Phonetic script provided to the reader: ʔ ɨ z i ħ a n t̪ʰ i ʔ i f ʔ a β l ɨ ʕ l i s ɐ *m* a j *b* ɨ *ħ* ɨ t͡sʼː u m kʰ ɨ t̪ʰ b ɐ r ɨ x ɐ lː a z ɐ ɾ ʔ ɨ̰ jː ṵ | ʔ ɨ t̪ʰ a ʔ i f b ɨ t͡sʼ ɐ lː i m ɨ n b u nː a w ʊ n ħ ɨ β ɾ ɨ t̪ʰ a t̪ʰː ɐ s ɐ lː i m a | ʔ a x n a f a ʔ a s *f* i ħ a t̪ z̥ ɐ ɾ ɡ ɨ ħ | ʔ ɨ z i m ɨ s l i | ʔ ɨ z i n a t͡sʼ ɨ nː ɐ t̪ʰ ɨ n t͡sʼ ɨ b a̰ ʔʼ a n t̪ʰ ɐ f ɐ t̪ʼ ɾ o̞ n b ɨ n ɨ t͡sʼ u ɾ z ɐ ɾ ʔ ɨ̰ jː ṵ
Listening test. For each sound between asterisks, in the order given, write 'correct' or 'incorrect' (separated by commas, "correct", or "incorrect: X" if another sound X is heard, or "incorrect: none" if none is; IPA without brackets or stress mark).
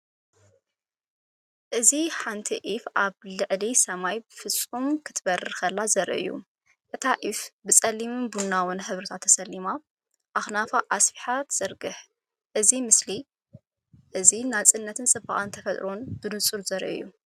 correct, correct, incorrect: f, correct